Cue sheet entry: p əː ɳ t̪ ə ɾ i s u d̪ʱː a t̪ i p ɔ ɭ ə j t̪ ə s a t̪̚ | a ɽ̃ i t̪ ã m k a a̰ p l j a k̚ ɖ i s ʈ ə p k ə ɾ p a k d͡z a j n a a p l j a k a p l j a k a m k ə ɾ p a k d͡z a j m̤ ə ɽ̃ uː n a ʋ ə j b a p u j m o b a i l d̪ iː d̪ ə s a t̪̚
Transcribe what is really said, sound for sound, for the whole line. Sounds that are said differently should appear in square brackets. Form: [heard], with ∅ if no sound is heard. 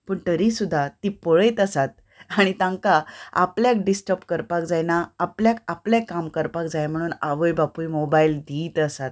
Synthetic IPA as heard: p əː ɳ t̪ ə ɾ i s u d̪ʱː a t̪ i p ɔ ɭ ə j t̪ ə s a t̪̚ | a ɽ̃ i t̪ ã [ŋ] k a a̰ p l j a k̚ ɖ i s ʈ ə p k ə ɾ p a k d͡z a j n a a p l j a k a p l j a k a m k ə ɾ p a k d͡z a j m̤ ə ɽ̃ uː n a ʋ ə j b a p u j m o b a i l d̪ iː [t̪] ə s a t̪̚